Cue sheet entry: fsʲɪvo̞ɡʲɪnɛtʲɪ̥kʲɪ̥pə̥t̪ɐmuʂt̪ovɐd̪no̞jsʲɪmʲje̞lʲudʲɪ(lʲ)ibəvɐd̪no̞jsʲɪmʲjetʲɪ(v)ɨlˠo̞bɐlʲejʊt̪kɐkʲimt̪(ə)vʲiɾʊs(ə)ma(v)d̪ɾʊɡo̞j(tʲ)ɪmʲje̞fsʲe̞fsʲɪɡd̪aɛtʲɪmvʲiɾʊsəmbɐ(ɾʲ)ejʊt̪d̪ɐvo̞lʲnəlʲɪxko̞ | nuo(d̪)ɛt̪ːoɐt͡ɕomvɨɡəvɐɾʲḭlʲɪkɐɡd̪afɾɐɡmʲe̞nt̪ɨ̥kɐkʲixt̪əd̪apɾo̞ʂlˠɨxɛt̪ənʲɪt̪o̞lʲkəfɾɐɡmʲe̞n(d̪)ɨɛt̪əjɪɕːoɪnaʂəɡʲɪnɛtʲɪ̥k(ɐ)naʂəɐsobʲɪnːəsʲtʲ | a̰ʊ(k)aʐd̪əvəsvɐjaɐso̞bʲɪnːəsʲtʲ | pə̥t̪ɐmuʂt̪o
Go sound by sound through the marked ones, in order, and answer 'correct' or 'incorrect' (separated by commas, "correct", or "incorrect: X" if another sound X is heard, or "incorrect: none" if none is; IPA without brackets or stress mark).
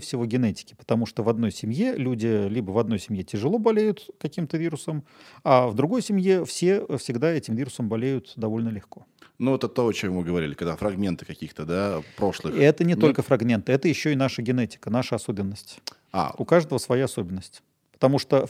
correct, incorrect: ʐ, correct, correct, correct, incorrect: sʲ, incorrect: lʲ, incorrect: t̪, incorrect: t̪, incorrect: ə, correct